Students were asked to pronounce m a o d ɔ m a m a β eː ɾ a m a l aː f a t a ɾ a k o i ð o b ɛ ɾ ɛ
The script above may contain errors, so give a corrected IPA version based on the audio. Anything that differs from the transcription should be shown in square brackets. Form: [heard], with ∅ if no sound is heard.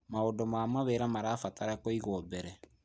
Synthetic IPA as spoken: m a o d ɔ m a m a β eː ɾ a m a [ɾ] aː f a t a ɾ a k o i [ɣ] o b ɛ ɾ ɛ